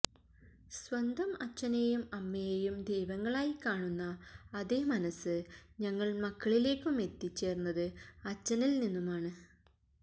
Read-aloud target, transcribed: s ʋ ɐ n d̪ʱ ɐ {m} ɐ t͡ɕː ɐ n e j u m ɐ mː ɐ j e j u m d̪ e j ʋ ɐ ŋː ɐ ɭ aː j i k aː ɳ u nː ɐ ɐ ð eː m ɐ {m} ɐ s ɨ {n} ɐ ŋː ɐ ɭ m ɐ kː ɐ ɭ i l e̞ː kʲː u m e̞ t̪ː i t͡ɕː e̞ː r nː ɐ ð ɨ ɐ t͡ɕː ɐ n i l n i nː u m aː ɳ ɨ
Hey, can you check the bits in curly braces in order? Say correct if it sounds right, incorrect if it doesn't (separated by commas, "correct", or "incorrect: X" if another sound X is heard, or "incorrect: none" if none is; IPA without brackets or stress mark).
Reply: correct, incorrect: n, incorrect: ɲ